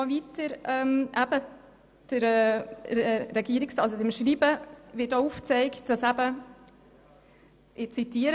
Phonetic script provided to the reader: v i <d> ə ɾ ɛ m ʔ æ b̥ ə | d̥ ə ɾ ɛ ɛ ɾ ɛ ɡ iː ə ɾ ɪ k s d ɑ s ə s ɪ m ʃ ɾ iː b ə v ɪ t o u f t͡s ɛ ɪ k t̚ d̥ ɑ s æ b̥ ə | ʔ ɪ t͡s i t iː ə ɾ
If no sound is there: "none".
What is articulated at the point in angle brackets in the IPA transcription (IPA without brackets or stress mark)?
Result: t